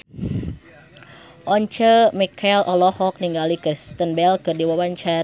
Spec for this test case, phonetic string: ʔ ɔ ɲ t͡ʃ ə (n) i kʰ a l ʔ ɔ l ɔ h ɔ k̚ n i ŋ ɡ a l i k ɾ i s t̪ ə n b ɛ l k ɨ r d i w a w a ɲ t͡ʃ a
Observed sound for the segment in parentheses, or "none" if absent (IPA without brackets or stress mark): m